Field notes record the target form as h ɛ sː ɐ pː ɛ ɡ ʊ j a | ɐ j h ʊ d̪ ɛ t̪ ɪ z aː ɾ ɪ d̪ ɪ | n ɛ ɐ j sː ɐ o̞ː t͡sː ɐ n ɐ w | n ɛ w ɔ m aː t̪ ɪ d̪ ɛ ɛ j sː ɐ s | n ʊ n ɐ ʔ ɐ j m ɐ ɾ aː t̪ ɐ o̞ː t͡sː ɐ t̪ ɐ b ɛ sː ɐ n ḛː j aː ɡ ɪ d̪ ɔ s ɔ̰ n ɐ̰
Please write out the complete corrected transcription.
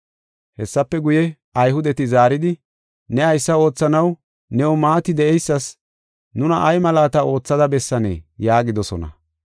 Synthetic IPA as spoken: h ɛ sː ɐ pː ɛ ɡ ʊ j ɛ | ɐ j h ʊ d̪ ɛ t̪ ɪ z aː ɾ ɪ d̪ ɪ | n ɛ ɐ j sː ɐ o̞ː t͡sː ɐ n ɐ w | n ɛ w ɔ m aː t̪ ɪ d̪ ɛ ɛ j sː ɐ s | n ʊ n ɐ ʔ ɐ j m ɐ l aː t̪ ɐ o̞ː t͡sː ɐ d̪ ɐ b ɛ sː ɐ n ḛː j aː ɡ ɪ d̪ ɔ s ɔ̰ n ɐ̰